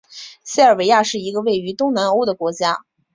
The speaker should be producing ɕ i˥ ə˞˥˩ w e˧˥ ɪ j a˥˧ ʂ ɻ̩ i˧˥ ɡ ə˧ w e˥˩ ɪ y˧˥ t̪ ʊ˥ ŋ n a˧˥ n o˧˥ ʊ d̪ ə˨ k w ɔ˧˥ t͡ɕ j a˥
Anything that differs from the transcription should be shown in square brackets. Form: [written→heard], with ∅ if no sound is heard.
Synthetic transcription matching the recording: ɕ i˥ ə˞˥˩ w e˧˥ ɪ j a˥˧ ʂ ɻ̩ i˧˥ ɡ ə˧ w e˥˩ ɪ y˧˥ t̪ ʊ˥ ŋ n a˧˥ n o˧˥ ʊ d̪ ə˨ k w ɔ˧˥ t͡ɕ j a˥

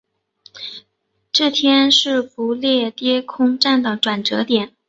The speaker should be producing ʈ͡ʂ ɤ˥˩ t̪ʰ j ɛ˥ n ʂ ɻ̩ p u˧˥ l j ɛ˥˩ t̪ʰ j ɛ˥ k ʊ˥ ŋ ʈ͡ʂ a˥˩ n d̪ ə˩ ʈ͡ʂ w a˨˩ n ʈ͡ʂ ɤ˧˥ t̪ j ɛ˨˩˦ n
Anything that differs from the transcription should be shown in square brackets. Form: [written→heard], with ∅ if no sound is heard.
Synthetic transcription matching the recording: ʈ͡ʂ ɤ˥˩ t̪ʰ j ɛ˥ n ʂ ɻ̩ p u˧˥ l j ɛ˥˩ [t̪ʰ→t̪] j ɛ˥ [k→kʰ] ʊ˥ ŋ ʈ͡ʂ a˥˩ n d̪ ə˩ ʈ͡ʂ w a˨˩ n ʈ͡ʂ ɤ˧˥ t̪ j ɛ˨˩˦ n

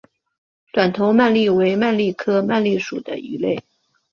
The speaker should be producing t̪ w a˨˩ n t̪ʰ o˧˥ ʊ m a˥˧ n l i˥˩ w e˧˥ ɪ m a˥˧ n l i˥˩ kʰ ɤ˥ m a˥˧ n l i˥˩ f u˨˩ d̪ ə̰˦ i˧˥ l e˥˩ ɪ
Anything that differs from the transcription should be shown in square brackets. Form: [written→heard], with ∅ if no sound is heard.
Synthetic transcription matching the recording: t̪ w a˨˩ n t̪ʰ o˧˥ ʊ m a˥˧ n l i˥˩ w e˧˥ ɪ m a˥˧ n l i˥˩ kʰ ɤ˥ m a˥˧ n l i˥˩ [f→ʂ] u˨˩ d̪ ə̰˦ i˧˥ l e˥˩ ɪ

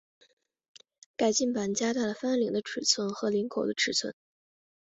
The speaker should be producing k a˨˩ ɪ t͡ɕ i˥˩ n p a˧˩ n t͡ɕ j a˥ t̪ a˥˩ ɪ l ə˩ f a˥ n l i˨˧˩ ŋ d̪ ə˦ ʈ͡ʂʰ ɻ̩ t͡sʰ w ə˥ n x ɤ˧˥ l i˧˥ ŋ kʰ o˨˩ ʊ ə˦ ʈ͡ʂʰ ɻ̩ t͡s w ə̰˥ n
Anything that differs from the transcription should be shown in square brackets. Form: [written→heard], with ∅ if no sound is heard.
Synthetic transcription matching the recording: k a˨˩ ɪ t͡ɕ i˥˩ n p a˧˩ n t͡ɕ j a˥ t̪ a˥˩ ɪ l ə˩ f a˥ n l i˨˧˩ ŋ d̪ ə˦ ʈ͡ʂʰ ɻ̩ t͡sʰ w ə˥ n x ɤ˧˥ l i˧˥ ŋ kʰ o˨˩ ʊ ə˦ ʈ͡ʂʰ ɻ̩ [t͡s→t͡sʰ] w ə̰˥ n

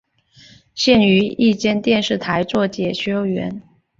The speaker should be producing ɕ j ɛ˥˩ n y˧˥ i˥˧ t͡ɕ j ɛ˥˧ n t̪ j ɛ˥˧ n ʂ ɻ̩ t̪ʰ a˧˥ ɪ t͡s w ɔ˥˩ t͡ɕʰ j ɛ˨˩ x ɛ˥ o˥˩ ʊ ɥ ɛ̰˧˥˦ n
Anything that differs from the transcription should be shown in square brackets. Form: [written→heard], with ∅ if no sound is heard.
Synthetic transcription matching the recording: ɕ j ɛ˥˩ n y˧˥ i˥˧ t͡ɕ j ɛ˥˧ n t̪ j ɛ˥˧ n ʂ ɻ̩ t̪ʰ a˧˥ ɪ t͡s w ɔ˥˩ [t͡ɕʰ→t͡ɕ] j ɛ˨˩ [x→ɕ] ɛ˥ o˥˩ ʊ ɥ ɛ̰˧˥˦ n

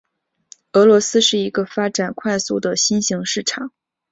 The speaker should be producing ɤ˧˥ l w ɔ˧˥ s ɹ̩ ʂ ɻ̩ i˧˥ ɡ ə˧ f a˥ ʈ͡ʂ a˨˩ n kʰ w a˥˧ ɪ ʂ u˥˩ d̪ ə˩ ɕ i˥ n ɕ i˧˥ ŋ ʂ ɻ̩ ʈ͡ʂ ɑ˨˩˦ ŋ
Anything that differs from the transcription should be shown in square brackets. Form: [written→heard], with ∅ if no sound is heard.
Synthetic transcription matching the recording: ɤ˧˥ l w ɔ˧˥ s ɹ̩ ʂ ɻ̩ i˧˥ ɡ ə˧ f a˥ ʈ͡ʂ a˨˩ n kʰ w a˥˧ ɪ [ʂ→s] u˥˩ d̪ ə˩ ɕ i˥ n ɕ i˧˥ ŋ ʂ ɻ̩ [ʈ͡ʂ→ʈ͡ʂʰ] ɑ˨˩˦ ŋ

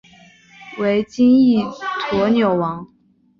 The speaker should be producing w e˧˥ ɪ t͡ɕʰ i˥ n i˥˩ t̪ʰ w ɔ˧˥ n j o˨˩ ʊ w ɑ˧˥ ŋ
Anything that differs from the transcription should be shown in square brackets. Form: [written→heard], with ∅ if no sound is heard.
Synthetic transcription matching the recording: w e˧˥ ɪ [t͡ɕʰ→t͡ɕ] i˥ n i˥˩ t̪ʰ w ɔ˧˥ n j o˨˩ ʊ w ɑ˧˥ ŋ

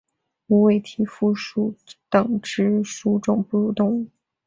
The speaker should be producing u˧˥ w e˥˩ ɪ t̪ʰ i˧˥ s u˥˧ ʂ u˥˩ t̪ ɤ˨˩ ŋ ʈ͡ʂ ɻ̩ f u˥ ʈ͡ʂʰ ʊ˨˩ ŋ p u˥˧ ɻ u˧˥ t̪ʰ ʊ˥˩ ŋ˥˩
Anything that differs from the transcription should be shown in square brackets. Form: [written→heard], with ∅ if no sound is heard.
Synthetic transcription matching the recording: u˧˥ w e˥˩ ɪ t̪ʰ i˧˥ [s→f] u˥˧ ʂ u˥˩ t̪ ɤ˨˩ ŋ ʈ͡ʂ ɻ̩ [f→ʂ] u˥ [ʈ͡ʂʰ→ʈ͡ʂ] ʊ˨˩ ŋ p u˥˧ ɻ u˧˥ [t̪ʰ→t̪] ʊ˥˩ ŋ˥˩

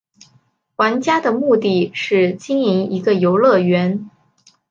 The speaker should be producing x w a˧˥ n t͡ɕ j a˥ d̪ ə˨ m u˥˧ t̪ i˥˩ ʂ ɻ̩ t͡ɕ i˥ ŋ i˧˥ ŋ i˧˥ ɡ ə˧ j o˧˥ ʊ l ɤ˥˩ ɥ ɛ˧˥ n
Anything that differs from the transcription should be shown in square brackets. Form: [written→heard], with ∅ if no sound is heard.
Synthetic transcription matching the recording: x w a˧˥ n t͡ɕ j a˥ d̪ ə˨ m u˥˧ t̪ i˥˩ ʂ ɻ̩ t͡ɕ i˥ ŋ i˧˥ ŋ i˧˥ ɡ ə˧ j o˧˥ ʊ l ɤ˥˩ ɥ ɛ˧˥ n

